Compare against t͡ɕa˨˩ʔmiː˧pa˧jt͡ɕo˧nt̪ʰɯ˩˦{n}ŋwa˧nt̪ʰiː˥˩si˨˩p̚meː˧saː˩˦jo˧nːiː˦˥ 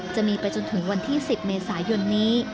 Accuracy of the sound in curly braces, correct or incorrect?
incorrect